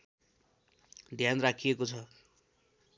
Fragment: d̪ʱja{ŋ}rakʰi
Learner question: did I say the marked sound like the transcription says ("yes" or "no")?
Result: no